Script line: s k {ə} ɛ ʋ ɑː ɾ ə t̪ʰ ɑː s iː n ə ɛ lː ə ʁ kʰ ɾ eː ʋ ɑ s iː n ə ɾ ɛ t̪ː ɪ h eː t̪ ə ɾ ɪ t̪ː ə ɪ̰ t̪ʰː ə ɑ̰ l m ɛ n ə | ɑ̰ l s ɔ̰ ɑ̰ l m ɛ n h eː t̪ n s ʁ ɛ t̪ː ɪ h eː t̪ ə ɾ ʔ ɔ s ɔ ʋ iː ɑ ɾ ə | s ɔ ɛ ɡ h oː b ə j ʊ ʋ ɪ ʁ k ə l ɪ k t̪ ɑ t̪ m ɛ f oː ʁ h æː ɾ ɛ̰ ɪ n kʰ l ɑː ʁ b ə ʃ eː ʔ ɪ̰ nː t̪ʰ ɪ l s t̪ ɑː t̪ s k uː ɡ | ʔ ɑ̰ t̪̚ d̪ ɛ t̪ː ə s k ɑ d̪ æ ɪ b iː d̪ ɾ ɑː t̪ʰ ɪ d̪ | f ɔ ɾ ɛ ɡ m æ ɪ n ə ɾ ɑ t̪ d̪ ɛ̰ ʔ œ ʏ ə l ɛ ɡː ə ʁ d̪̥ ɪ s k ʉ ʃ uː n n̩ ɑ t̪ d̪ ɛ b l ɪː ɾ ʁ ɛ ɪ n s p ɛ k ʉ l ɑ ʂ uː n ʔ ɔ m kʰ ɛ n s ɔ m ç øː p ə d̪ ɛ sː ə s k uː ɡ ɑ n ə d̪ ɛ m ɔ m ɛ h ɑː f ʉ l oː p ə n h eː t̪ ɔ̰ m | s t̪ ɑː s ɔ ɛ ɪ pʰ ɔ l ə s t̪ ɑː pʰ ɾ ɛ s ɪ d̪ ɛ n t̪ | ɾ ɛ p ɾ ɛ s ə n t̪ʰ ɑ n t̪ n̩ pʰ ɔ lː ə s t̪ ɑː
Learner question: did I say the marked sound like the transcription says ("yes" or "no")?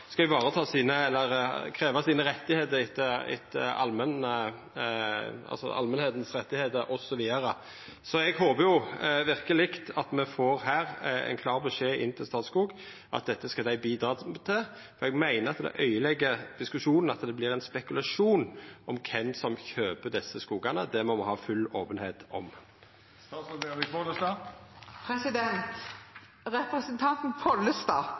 no